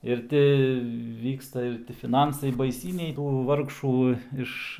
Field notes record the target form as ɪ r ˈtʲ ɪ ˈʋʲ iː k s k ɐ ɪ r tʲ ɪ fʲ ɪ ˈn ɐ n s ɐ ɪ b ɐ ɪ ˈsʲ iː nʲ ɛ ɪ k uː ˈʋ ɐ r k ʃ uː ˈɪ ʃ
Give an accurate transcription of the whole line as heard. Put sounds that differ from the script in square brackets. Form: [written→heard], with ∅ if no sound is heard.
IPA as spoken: ɪ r ˈtʲ ɪ ˈʋʲ iː k s [k→t] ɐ ɪ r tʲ ɪ fʲ ɪ ˈn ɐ n s ɐ ɪ b ɐ ɪ ˈsʲ iː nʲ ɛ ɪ [k→t] uː ˈʋ ɐ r k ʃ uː ˈɪ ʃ